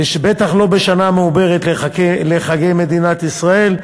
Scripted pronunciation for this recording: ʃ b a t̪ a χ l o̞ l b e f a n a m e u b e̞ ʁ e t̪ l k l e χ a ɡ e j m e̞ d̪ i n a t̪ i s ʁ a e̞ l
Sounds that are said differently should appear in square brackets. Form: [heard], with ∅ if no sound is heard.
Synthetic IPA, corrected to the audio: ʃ b [e] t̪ a χ l o̞ [∅] b e [ʃ] a n a m e u b e̞ ʁ e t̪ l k l e χ a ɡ e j m e̞ d̪ i n a t̪ i s ʁ a e̞ l